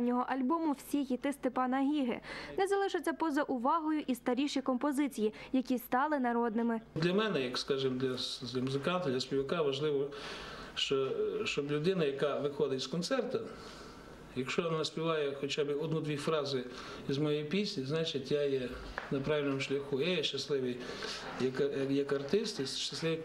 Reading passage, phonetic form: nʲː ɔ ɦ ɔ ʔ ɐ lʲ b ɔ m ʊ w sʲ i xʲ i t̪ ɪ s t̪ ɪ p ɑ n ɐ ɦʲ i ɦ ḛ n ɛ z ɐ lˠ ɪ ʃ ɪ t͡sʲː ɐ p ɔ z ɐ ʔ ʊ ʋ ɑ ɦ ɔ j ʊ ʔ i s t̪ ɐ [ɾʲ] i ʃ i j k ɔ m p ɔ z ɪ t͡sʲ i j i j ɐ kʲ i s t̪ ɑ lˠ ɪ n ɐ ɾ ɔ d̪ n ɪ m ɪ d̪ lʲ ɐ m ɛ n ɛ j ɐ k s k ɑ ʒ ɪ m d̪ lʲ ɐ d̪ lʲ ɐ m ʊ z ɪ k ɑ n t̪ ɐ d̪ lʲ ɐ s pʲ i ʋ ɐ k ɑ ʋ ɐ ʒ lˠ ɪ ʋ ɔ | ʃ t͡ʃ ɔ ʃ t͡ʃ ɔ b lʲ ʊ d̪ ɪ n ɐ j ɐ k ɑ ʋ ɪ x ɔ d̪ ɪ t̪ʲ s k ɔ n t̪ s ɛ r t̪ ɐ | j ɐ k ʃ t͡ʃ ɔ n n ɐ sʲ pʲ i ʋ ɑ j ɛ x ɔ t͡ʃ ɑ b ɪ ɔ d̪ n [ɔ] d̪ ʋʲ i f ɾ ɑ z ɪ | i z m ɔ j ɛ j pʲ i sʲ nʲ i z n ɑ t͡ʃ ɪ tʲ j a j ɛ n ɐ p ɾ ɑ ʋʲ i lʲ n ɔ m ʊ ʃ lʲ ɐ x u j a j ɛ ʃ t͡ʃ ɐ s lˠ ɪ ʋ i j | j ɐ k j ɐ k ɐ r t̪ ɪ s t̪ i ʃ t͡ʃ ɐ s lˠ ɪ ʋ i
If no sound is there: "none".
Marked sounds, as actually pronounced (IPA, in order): ɾʲ, u

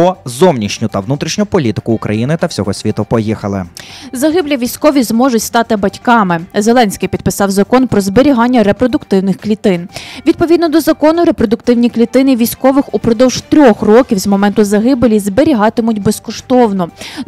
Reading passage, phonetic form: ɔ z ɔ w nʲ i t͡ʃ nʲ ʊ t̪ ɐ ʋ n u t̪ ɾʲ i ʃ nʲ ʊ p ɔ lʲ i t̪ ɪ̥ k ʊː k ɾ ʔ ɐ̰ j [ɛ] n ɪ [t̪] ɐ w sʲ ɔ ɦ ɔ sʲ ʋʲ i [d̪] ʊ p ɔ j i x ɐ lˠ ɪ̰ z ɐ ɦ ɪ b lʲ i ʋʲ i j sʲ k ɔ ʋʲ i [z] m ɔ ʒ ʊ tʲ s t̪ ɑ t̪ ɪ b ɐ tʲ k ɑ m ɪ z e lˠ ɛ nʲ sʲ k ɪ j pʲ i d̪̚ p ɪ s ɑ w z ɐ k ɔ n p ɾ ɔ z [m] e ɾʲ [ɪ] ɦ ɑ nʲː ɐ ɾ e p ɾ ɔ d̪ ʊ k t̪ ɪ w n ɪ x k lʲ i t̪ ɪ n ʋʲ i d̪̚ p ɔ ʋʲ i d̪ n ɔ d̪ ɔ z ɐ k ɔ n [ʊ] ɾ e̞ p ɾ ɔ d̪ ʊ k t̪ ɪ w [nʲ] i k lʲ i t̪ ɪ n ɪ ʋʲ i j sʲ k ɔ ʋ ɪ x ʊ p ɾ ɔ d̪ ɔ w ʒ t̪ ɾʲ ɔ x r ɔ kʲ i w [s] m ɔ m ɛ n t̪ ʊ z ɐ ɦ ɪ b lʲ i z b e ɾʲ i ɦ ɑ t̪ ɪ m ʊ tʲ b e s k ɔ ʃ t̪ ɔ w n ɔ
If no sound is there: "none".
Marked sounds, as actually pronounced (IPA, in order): i, t̪, t̪, z, b, i, ʊ, nʲ, z

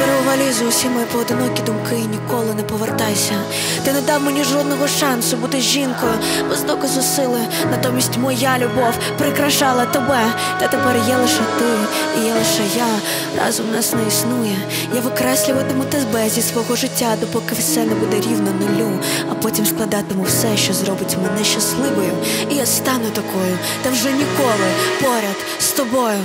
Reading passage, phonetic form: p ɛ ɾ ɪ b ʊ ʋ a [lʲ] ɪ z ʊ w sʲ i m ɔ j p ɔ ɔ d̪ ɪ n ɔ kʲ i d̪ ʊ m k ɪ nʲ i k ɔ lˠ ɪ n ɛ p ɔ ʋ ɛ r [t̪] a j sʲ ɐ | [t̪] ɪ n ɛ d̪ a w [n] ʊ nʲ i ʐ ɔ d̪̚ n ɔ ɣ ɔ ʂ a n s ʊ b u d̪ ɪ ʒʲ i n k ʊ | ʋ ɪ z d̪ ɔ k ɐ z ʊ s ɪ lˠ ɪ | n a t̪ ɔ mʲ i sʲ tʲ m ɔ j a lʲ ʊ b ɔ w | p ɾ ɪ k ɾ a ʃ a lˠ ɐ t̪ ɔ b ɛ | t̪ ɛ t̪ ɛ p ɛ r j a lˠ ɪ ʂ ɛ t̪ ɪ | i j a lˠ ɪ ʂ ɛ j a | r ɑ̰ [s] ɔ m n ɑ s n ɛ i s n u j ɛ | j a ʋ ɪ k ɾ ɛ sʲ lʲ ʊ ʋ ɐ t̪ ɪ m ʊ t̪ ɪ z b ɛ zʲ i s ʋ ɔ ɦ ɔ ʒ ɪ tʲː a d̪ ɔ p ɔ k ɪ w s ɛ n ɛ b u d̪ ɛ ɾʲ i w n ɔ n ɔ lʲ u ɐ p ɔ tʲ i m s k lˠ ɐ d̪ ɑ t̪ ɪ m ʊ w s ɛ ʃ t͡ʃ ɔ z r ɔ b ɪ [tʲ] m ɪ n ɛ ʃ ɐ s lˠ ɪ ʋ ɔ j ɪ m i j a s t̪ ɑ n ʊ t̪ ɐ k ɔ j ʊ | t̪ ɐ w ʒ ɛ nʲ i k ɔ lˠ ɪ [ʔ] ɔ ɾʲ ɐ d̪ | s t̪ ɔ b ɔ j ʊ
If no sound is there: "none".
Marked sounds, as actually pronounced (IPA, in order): lʲ, t̪, t̪, m, z, tʲ, p

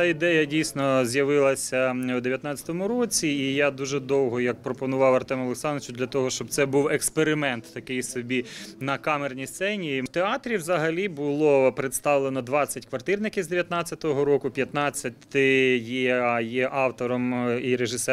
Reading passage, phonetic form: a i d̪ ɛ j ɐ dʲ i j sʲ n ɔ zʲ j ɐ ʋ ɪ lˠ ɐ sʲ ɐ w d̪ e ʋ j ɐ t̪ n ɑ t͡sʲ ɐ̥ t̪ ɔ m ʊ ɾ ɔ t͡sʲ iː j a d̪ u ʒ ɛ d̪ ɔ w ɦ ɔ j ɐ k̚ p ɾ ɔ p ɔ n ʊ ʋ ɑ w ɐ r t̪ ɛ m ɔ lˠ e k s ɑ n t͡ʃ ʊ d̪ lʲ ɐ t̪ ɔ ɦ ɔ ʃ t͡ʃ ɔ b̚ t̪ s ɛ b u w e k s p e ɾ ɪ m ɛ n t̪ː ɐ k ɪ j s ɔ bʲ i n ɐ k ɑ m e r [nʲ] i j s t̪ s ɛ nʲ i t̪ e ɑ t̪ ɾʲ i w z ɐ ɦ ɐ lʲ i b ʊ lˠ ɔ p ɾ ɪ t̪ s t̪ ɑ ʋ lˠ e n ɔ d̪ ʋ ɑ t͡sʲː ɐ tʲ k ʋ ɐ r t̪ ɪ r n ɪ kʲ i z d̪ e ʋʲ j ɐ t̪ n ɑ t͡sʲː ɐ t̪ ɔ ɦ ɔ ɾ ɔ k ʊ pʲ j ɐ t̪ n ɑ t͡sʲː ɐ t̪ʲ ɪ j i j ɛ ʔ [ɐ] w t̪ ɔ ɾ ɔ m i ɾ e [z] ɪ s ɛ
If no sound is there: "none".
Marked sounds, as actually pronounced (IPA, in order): nʲ, ɑ, ʒ

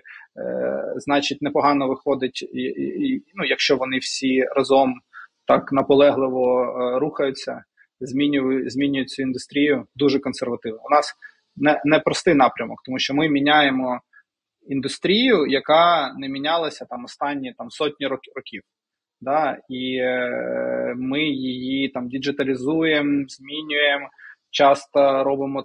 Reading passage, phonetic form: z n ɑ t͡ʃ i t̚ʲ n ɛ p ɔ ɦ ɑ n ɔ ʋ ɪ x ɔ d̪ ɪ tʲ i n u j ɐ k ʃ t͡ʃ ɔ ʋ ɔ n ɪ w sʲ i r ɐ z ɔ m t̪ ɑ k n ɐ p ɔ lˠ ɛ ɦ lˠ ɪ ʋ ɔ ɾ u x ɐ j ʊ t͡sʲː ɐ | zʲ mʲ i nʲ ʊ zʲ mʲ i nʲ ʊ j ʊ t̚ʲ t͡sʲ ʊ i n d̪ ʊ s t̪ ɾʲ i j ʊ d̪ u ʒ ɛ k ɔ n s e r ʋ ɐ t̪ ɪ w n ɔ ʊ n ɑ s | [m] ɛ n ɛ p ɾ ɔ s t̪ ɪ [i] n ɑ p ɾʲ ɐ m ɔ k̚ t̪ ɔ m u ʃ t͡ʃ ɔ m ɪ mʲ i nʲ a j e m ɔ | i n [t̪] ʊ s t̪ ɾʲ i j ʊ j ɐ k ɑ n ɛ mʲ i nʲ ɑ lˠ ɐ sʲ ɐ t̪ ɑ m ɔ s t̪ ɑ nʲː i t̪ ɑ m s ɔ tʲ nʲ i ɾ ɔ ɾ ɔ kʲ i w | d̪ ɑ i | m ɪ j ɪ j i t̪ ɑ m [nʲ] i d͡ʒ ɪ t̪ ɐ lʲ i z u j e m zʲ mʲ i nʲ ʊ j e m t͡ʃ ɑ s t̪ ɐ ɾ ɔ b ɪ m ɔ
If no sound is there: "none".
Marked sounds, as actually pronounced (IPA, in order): n, j, d̪, dʲ

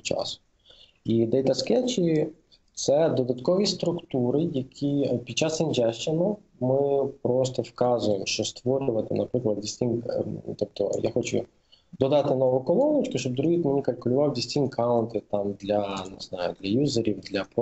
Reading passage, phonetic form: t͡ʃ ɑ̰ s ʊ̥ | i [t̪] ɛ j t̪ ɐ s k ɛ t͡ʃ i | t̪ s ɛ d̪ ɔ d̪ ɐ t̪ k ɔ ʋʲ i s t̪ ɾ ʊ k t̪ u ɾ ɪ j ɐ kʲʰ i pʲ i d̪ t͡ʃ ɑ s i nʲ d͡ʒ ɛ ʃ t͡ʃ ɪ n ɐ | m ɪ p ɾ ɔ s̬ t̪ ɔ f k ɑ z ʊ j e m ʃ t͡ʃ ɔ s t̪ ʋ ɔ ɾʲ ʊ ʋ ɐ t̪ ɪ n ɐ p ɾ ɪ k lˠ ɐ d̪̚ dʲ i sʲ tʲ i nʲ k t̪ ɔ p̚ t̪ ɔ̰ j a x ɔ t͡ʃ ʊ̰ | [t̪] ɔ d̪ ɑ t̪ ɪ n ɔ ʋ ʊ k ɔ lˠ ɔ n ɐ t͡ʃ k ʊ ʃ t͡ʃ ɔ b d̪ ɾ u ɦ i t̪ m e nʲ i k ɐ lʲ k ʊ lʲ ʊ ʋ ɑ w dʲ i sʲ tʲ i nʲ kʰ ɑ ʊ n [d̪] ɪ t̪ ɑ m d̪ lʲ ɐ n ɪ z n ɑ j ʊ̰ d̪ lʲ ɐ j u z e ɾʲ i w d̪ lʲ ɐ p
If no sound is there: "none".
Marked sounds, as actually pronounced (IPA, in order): d̪, d̪, t̪

